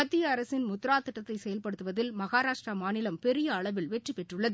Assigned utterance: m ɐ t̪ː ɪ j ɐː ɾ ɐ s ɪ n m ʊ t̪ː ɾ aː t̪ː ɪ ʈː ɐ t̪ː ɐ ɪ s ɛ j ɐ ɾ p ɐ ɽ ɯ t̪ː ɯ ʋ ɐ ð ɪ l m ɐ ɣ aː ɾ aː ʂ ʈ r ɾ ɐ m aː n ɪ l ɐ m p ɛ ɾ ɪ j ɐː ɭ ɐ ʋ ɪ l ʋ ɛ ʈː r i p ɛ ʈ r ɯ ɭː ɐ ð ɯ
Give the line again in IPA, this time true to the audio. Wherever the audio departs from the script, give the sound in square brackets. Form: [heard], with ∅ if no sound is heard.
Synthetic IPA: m ɐ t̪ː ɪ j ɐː ɾ ɐ s ɪ n m ʊ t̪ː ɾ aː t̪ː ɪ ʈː ɐ t̪ː ɐ ɪ s ɛ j ɐ [l] p ɐ ɽ ɯ t̪ː ɯ ʋ ɐ ð ɪ l m ɐ ɣ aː ɾ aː ʂ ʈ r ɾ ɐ m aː n ɪ l ɐ m p ɛ ɾ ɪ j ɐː ɭ ɐ ʋ ɪ l ʋ ɛ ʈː r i p ɛ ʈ r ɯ ɭː ɐ ð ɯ